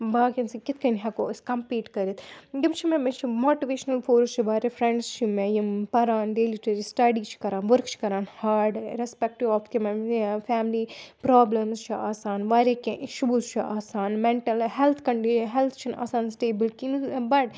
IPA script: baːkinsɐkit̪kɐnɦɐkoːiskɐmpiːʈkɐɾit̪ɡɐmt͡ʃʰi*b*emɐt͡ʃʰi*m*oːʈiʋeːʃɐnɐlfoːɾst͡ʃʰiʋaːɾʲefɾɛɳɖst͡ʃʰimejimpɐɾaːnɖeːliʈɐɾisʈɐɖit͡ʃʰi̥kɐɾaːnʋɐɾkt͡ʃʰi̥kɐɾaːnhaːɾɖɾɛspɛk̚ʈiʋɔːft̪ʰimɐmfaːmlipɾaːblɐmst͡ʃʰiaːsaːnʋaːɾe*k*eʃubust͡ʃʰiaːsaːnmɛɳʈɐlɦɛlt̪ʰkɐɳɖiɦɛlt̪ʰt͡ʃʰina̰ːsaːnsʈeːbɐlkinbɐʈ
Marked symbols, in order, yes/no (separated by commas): no, yes, yes